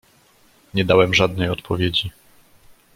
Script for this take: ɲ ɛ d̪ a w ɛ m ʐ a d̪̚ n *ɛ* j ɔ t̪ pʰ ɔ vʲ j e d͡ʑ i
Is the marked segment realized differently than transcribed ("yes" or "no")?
no